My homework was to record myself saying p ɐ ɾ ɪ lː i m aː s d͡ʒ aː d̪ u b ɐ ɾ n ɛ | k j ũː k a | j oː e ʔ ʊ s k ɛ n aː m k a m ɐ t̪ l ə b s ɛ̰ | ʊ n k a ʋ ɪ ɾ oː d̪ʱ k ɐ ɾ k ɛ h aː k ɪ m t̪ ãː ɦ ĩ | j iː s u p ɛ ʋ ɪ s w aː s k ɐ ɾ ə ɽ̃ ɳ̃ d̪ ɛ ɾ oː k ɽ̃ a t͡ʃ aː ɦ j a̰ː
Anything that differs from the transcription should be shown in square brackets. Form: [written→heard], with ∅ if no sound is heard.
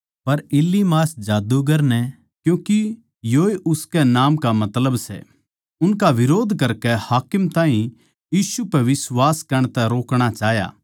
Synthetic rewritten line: p ɐ ɾ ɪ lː i m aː s d͡ʒ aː d̪ u [b→ɡ] ɐ ɾ n ɛ | k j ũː k [a→i] | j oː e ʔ ʊ s k ɛ n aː m k a m ɐ t̪ l ə b s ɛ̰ | ʊ n k a ʋ ɪ ɾ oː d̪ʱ k ɐ ɾ k ɛ h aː k ɪ m t̪ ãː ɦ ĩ | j iː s u p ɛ ʋ ɪ s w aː s k ɐ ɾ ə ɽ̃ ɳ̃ [d̪→t̪] ɛ ɾ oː k ɽ̃ a t͡ʃ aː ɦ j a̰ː